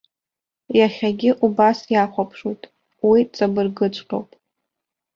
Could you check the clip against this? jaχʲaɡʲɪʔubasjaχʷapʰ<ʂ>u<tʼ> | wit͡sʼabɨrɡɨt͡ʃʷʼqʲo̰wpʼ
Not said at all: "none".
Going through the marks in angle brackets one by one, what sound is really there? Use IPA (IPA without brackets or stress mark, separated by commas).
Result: ʂ, tʼ